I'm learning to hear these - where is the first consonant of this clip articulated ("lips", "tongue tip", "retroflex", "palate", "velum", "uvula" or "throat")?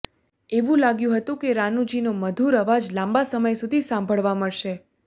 lips